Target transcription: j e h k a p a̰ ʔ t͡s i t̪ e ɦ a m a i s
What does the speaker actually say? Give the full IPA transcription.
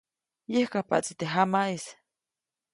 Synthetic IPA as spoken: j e h k a p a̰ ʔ t͡s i t̪ e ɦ a m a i s